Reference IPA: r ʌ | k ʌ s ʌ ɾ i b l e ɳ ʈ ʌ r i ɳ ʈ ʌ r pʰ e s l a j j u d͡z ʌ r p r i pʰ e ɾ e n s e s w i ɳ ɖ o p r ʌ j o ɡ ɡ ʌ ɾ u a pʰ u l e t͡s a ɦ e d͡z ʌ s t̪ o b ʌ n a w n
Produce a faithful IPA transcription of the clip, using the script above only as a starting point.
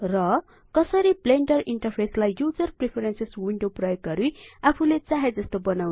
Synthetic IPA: r ʌ | k ʌ s ʌ ɾ i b l e ɳ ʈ ʌ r i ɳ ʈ ʌ r pʰ e s l a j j u d͡z ʌ r p r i pʰ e ɾ e n s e s w i ɳ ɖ o p r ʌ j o ɡ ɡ ʌ ɾ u a pʰ u l e t͡s a ɦ e d͡z ʌ s t̪ o b ʌ n a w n